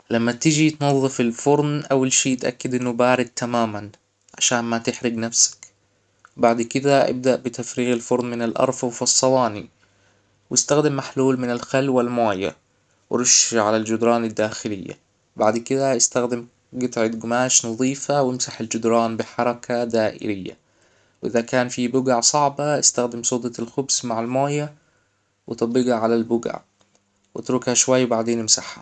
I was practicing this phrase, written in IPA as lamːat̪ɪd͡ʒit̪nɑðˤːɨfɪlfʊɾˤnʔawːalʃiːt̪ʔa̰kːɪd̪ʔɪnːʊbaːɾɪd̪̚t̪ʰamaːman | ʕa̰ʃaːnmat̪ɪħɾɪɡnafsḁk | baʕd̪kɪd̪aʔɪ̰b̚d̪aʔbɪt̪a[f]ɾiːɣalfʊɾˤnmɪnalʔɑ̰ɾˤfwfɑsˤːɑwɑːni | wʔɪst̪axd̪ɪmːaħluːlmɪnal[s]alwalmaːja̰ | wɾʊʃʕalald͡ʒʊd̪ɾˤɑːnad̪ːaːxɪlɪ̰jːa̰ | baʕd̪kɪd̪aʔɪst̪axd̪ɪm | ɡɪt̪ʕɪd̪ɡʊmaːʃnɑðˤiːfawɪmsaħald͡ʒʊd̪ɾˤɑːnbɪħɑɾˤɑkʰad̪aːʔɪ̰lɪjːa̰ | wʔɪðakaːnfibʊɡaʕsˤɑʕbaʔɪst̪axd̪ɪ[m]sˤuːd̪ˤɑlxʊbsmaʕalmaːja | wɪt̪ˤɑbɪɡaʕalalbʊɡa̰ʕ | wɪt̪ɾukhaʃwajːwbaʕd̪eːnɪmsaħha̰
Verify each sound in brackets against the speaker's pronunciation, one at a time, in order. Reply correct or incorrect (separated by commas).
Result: correct, incorrect, correct